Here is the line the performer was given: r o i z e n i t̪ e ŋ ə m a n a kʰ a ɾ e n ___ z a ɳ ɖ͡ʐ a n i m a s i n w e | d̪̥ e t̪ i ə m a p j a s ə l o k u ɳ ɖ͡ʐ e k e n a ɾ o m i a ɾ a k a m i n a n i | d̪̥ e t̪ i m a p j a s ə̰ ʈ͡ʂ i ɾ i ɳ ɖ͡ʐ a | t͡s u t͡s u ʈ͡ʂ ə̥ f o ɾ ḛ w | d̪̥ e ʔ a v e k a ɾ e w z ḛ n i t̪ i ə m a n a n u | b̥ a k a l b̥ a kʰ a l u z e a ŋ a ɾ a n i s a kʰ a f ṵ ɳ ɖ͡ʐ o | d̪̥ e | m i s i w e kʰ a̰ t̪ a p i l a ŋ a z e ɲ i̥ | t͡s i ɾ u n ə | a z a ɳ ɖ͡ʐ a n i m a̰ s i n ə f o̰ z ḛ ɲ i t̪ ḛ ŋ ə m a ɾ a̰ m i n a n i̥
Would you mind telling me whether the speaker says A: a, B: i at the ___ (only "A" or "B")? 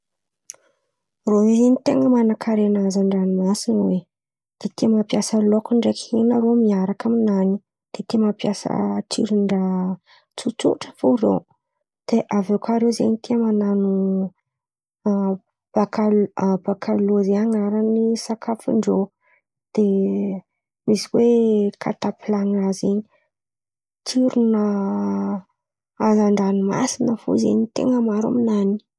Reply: A